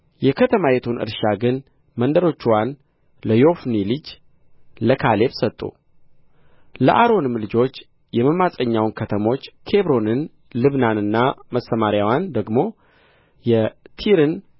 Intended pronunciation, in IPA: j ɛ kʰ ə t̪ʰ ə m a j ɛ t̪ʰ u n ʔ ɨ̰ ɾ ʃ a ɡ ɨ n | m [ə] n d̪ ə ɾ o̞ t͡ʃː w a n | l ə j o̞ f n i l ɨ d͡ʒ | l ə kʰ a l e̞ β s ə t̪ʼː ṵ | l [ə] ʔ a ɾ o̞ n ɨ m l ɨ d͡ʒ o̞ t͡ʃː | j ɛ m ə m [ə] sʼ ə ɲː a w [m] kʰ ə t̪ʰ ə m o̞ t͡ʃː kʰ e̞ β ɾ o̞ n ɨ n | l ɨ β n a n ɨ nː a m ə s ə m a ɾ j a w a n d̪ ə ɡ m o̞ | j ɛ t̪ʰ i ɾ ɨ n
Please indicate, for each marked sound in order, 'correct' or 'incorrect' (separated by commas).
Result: correct, correct, incorrect, incorrect